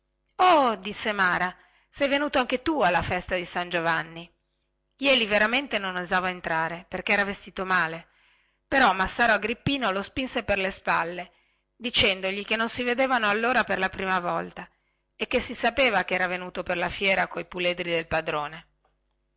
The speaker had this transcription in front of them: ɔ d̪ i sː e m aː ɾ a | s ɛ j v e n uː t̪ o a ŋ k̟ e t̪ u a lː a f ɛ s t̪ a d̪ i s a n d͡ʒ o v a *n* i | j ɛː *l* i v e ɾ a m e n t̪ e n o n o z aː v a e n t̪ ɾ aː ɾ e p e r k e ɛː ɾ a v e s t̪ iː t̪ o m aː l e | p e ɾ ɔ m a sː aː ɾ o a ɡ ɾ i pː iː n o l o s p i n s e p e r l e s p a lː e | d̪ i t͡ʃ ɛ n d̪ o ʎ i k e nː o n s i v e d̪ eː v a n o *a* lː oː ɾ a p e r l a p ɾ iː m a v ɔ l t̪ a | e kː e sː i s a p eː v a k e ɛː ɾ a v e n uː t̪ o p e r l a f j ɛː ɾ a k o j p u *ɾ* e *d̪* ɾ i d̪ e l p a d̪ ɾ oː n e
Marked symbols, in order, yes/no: no, yes, yes, no, yes

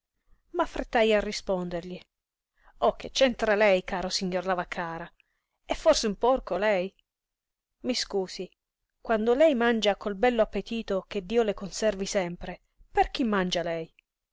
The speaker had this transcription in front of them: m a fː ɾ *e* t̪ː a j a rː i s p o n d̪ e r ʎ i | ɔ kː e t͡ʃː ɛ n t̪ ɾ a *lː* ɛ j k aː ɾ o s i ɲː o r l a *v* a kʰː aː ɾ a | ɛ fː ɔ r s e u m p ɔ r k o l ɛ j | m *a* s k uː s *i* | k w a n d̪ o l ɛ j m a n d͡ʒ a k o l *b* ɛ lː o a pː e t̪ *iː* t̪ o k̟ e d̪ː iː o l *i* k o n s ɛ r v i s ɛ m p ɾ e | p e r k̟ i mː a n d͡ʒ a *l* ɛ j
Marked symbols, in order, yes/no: yes, no, yes, no, yes, yes, yes, no, yes

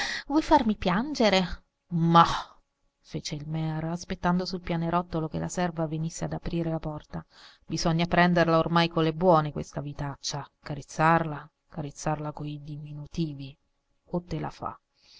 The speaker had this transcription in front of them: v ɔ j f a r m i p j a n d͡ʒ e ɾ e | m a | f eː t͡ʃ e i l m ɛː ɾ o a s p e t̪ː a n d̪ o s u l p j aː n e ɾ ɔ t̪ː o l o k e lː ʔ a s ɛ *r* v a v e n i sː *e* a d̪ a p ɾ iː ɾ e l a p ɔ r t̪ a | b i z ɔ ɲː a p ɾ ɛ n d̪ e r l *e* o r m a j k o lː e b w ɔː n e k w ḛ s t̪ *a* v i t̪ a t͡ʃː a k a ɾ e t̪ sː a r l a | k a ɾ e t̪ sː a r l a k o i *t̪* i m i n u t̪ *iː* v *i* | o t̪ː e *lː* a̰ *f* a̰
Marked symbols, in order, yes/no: yes, yes, no, yes, no, yes, yes, no, yes

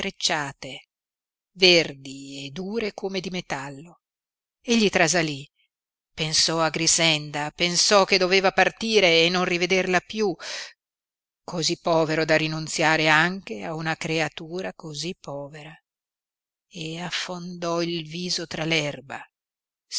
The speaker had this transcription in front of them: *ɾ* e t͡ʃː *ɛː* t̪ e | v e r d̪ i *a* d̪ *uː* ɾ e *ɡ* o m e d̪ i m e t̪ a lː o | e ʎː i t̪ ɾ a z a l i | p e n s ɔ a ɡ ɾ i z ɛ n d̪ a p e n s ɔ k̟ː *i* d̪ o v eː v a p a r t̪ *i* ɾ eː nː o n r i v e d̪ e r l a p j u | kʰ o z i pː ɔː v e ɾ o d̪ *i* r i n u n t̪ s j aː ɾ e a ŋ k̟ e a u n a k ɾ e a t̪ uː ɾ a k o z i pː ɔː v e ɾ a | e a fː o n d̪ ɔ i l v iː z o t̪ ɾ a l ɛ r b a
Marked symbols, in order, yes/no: yes, no, no, yes, no, no, no, no

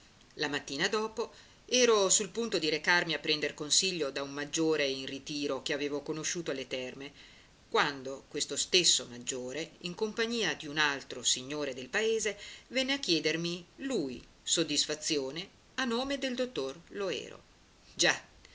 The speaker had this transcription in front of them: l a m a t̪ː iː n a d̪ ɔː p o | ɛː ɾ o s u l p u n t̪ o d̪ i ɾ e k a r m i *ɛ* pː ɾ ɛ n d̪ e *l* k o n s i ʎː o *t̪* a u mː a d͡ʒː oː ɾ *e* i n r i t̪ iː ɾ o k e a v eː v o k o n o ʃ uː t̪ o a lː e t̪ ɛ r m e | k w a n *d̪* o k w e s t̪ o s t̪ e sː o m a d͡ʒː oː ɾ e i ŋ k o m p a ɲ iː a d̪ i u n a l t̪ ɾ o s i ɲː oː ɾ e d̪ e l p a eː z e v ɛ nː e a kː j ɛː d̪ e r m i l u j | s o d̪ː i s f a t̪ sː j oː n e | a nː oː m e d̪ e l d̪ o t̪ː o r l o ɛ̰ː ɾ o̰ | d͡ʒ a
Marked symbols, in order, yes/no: no, no, no, yes, yes

